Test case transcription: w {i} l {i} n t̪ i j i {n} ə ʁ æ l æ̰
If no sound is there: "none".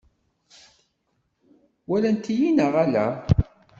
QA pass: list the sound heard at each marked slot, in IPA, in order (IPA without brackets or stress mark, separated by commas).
æ, æ, n